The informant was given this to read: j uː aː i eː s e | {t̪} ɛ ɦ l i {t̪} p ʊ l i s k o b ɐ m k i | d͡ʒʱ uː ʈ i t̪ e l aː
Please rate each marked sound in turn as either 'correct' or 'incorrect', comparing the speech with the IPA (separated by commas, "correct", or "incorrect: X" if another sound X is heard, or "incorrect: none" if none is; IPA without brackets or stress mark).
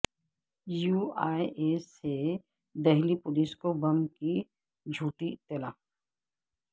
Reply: incorrect: d̪, incorrect: none